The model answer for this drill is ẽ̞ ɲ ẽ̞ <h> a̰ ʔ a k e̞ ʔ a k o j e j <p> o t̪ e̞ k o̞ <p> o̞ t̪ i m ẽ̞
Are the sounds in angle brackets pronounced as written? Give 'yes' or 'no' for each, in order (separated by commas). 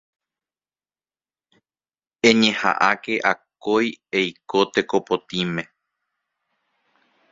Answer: yes, no, yes